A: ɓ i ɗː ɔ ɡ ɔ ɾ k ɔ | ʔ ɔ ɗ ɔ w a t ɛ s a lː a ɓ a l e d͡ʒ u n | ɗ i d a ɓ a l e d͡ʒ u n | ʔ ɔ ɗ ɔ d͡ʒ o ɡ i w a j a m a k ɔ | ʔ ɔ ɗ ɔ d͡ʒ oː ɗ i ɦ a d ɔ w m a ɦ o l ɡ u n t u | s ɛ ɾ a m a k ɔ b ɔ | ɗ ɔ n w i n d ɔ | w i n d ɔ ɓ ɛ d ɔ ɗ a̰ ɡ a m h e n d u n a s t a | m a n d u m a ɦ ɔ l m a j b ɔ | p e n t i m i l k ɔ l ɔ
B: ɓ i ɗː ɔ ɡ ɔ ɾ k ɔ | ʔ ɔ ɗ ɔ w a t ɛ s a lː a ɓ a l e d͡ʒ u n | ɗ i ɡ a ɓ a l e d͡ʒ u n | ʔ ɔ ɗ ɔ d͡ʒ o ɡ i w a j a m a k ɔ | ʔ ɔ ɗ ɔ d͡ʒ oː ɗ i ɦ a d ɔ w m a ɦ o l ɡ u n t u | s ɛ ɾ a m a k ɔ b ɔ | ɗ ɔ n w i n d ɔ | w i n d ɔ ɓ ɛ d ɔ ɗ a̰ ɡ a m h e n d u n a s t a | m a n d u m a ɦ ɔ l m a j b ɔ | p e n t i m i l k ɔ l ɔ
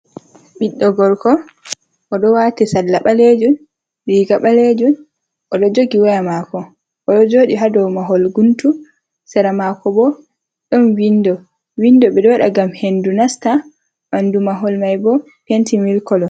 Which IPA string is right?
B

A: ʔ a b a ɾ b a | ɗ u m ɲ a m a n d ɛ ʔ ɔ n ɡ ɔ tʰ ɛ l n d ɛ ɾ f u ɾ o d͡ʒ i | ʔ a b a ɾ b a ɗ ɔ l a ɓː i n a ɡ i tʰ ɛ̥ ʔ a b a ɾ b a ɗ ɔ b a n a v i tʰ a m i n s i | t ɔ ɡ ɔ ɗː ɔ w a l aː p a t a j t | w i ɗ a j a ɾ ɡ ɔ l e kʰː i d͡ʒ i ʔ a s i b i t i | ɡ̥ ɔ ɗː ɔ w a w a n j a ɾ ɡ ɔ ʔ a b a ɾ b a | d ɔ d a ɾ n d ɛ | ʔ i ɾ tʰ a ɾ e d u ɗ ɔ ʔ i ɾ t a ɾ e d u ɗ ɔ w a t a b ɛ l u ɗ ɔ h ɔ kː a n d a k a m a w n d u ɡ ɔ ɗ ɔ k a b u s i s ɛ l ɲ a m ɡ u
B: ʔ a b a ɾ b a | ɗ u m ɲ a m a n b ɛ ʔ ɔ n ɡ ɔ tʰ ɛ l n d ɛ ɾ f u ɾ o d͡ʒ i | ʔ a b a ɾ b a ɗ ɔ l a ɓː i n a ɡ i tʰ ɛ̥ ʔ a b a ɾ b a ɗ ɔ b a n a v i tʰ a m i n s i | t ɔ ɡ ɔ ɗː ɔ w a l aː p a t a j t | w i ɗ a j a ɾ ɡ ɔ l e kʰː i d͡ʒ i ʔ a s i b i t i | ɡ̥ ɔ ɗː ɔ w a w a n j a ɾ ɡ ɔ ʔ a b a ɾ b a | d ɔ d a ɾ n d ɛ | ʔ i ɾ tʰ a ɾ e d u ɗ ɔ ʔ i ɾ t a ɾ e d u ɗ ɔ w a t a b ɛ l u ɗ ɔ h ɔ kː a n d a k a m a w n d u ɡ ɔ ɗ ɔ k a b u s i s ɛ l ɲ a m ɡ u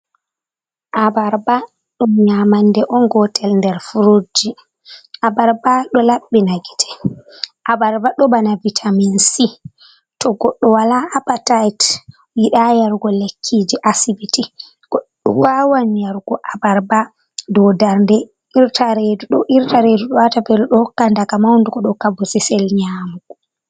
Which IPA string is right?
A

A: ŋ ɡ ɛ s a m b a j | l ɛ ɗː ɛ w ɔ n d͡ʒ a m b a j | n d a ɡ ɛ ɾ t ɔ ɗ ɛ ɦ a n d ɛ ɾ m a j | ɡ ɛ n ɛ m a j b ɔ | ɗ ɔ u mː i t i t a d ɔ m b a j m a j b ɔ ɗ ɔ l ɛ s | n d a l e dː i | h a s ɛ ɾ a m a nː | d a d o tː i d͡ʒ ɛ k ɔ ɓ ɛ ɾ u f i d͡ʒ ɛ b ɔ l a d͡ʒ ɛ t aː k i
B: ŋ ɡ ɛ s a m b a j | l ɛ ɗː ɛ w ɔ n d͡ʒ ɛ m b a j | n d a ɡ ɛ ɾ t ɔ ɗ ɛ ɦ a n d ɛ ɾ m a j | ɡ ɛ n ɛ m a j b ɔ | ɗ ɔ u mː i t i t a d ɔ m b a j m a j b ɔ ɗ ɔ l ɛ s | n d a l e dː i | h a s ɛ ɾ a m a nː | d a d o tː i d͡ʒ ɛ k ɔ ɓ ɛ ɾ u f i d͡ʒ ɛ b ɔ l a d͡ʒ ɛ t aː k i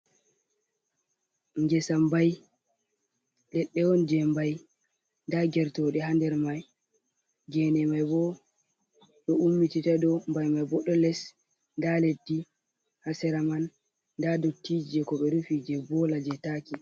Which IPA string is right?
B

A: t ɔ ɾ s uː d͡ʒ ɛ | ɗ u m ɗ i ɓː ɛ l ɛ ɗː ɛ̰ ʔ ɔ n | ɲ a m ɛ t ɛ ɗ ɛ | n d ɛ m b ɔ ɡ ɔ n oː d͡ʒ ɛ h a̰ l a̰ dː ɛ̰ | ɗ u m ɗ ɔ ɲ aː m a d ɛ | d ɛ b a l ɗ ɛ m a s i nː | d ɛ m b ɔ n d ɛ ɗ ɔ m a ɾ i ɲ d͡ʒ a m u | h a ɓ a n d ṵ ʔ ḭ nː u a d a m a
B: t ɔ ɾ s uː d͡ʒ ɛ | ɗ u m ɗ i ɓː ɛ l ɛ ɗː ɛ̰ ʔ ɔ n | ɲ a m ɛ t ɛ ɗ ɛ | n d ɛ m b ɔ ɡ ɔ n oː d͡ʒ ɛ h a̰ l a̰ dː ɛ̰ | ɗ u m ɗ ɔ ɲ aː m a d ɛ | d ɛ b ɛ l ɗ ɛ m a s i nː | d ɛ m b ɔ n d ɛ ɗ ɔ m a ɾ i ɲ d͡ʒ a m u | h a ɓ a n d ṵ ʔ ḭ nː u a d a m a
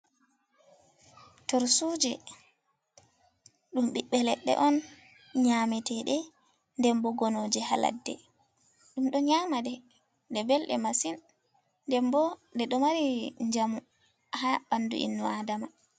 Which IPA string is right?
B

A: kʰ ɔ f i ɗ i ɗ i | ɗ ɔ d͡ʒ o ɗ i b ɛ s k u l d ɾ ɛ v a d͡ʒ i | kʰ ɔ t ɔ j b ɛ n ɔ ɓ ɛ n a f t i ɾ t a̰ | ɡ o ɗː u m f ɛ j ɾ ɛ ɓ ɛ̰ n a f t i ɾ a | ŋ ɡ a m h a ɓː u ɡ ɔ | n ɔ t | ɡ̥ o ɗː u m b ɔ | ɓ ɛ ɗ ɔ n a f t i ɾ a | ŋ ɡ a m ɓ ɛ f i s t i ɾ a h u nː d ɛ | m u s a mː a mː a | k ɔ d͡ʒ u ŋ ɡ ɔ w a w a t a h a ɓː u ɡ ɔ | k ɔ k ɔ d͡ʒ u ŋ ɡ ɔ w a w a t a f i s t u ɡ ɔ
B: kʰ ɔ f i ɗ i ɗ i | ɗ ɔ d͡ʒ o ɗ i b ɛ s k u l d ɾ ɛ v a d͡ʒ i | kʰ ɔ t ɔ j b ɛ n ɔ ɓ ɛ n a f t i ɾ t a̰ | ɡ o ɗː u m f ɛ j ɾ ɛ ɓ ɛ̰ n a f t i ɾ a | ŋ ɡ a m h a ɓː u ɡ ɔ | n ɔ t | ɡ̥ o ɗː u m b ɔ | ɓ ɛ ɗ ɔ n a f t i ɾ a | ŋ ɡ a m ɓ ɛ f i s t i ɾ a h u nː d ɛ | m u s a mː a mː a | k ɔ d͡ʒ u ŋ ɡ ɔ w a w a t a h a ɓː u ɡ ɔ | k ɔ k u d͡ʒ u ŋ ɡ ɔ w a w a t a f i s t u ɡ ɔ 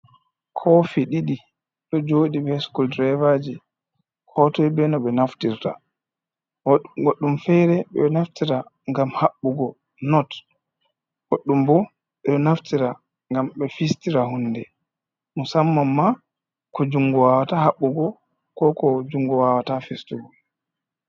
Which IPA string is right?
A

